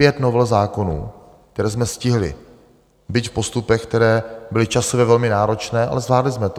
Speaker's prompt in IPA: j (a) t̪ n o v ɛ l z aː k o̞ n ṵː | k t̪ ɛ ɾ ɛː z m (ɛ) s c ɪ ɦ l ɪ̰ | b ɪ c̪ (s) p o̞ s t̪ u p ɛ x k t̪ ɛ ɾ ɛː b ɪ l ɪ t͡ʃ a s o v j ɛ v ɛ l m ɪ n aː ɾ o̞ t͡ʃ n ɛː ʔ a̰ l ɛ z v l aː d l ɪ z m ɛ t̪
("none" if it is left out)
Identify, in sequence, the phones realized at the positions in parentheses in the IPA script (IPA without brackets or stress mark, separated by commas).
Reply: ɛ, ɛ, f